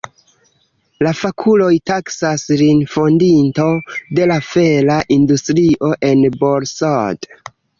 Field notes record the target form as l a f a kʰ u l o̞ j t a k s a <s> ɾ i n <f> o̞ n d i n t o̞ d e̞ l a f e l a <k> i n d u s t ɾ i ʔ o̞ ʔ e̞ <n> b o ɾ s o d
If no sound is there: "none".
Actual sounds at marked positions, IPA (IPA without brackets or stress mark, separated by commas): s, f, ʔ, n